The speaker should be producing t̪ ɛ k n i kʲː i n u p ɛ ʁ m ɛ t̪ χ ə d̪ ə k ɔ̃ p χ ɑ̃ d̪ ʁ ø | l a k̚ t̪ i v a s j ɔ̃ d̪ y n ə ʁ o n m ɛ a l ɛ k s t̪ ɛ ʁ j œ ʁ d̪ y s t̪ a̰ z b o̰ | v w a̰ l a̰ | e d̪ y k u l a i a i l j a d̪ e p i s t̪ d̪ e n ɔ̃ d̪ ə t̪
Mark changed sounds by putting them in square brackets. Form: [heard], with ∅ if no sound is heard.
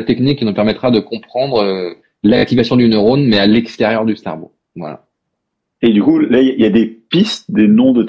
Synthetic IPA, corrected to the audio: t̪ ɛ k n i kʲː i n u p ɛ ʁ m ɛ t̪ χ [a] d̪ ə k ɔ̃ p χ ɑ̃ d̪ ʁ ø | l a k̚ t̪ i v a s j ɔ̃ d̪ y n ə ʁ o n m ɛ a l ɛ k s t̪ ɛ ʁ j œ ʁ d̪ y s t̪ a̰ [ʁ] b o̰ | v w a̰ l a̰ | e d̪ y k u l a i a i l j a d̪ e p i s t̪ d̪ e n ɔ̃ d̪ ə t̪